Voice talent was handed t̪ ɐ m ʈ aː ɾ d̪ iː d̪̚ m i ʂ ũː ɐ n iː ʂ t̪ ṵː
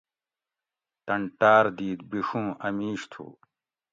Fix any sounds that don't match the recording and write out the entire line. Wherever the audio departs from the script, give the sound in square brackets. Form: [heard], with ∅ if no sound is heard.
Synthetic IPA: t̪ ɐ [ɳ] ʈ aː ɾ d̪ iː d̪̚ [b] i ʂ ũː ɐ [m] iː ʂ [t̪ʰ] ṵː